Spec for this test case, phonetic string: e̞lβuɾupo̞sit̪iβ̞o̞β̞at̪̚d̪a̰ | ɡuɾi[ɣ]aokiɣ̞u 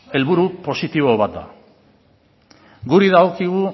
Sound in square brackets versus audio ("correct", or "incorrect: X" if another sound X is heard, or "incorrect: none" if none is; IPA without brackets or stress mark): incorrect: ð